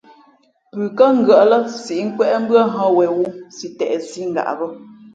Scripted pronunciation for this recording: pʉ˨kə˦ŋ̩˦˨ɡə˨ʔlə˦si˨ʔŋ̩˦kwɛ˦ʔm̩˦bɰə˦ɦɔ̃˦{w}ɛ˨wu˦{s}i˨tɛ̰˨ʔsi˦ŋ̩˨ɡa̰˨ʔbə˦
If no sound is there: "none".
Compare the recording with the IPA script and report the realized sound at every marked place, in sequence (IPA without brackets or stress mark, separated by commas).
w, s